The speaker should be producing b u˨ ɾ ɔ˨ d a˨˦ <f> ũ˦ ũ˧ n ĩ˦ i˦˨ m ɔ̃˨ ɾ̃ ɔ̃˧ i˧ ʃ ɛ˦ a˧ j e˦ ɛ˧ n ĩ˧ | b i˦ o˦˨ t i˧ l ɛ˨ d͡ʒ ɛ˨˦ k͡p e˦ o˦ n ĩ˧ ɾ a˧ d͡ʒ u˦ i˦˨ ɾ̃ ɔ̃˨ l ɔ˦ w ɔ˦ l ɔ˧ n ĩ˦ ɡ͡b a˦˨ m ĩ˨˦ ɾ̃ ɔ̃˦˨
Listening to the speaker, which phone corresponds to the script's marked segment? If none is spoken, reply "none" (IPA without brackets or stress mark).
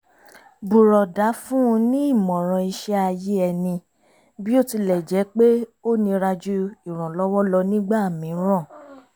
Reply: f